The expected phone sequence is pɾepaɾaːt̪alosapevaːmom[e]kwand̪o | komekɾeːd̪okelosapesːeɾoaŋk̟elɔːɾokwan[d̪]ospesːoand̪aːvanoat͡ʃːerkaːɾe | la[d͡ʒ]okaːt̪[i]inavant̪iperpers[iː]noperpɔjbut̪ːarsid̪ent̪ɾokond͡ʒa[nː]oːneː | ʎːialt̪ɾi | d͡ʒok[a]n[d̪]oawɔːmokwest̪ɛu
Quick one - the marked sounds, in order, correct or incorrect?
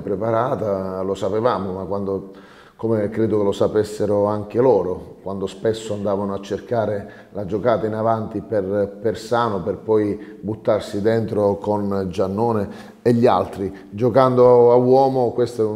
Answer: incorrect, correct, correct, incorrect, incorrect, correct, correct, correct

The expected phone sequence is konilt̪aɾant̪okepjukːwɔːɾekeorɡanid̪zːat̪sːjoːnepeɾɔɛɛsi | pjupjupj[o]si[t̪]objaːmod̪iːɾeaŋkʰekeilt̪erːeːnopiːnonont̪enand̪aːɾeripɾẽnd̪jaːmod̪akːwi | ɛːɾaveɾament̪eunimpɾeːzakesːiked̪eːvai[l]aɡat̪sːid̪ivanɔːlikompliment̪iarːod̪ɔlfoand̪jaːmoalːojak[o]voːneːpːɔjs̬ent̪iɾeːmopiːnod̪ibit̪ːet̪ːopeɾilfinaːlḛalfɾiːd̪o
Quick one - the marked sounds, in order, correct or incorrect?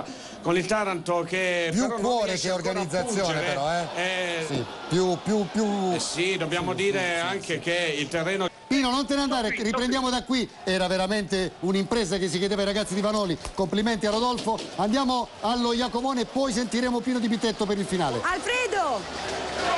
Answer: incorrect, incorrect, incorrect, correct

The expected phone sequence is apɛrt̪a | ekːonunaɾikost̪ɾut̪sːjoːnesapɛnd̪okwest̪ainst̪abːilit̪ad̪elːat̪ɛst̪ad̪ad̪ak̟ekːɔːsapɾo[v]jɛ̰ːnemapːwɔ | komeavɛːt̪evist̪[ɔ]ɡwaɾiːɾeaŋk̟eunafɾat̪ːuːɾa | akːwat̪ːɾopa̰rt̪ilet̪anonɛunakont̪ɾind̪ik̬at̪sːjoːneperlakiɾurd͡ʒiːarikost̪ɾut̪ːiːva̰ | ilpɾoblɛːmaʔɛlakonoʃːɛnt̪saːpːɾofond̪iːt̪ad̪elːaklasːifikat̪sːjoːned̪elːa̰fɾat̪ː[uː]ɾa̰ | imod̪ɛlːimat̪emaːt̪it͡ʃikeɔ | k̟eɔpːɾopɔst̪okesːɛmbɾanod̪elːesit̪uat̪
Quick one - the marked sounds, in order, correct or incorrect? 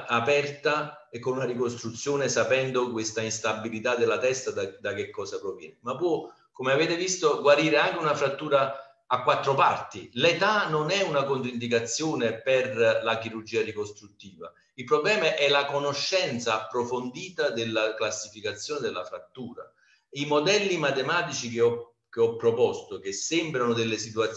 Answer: correct, incorrect, correct

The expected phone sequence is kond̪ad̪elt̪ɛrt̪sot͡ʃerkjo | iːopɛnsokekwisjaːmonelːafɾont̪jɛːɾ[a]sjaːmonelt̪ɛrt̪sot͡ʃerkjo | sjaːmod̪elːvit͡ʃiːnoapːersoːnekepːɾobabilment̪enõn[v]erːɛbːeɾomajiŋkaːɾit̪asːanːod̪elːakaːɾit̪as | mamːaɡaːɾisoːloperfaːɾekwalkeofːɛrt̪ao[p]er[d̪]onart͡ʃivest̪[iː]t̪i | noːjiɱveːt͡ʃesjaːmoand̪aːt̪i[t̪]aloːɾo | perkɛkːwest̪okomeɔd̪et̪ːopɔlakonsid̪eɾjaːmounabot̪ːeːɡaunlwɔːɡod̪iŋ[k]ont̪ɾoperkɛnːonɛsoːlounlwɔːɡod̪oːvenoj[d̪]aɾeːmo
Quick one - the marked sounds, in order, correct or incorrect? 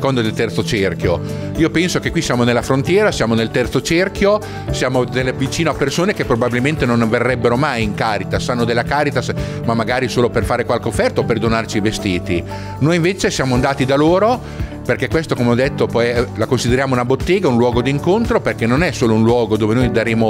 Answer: correct, correct, correct, correct, correct, incorrect, correct, correct

